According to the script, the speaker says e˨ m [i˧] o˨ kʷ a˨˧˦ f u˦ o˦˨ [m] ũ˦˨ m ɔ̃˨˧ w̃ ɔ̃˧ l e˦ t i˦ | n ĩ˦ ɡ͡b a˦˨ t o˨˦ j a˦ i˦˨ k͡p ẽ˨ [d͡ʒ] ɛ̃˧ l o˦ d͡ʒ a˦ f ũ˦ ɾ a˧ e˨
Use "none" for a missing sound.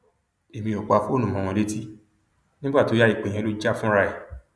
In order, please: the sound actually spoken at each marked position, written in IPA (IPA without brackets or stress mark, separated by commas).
ĩ˧, n, none